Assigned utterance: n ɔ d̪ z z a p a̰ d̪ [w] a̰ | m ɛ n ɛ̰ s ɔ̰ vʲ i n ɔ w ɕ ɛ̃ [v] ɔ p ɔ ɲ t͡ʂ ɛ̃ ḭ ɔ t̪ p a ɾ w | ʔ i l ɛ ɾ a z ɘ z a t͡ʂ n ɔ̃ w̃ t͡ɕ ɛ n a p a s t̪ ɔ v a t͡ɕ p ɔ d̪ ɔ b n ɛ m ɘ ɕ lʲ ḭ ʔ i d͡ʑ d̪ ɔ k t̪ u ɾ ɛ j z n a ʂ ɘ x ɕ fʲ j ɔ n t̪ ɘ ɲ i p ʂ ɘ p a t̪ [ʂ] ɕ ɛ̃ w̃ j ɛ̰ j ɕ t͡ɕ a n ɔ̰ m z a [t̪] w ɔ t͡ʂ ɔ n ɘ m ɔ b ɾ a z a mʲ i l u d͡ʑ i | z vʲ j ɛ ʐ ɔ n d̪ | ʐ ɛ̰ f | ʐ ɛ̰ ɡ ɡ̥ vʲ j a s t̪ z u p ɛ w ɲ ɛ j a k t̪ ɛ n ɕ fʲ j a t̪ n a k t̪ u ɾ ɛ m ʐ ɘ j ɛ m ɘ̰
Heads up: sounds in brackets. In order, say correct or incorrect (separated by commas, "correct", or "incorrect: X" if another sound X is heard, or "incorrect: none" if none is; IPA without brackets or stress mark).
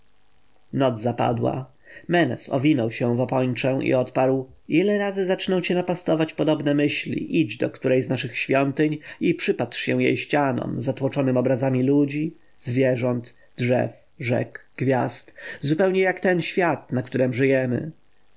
correct, correct, correct, correct